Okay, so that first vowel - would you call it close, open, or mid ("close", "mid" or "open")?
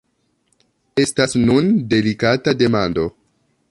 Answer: mid